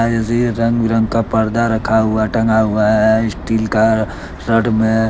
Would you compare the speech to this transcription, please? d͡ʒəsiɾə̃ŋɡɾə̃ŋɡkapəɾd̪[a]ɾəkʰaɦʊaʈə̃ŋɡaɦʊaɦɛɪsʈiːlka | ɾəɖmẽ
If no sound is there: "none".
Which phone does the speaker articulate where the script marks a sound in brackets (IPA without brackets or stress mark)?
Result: a